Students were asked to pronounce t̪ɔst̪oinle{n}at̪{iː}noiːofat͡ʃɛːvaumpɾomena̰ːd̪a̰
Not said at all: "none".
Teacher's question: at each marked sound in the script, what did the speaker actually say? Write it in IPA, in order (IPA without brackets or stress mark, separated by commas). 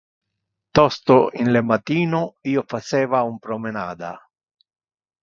m, iː